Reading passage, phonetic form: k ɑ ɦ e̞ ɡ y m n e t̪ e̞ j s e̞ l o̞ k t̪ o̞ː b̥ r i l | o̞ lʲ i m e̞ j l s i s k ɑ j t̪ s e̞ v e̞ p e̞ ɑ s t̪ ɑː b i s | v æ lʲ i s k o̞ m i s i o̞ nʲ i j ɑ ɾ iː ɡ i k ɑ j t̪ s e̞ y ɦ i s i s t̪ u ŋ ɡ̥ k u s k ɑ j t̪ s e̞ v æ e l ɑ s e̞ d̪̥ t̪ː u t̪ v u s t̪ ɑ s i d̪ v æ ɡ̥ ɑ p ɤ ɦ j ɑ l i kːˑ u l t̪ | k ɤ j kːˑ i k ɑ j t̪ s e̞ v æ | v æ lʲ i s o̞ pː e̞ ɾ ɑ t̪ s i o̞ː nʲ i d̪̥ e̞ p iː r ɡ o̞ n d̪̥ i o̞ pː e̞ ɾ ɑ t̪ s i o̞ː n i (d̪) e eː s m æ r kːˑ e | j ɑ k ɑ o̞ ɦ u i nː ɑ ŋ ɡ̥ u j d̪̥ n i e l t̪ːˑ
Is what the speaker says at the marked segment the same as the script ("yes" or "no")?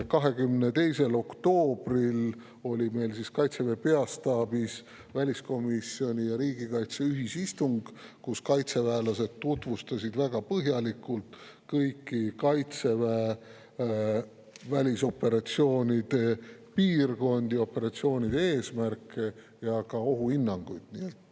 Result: yes